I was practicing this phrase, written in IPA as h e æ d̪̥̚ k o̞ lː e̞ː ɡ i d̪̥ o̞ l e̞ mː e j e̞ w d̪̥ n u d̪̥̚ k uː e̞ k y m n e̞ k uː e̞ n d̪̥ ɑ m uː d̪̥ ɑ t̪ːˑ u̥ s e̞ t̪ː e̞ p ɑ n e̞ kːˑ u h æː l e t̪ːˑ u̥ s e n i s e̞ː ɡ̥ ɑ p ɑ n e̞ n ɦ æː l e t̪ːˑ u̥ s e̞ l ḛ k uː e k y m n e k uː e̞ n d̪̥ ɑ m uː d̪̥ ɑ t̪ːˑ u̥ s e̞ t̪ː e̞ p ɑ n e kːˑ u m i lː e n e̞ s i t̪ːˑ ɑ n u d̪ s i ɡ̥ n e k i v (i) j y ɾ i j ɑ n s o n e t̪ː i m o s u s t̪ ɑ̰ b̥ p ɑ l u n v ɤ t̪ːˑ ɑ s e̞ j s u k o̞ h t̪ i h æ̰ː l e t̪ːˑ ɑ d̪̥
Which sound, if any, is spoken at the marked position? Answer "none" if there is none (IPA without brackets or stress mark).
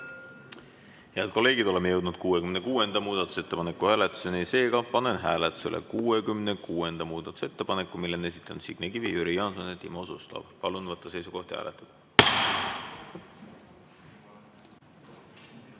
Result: i